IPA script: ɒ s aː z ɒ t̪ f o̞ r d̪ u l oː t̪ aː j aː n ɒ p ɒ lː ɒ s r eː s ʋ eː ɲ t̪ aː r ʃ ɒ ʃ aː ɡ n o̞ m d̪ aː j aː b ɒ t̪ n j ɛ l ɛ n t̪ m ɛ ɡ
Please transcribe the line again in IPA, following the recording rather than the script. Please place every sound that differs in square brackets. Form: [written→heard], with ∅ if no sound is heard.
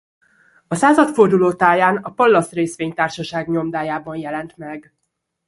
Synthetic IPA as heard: ɒ s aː z ɒ t̪ f o̞ r d̪ u l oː t̪ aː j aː n ɒ p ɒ lː ɒ s r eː s ʋ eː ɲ t̪ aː r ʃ ɒ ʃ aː ɡ [n→ɲ] o̞ m d̪ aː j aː b ɒ [t̪→∅] n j ɛ l ɛ n t̪ m ɛ ɡ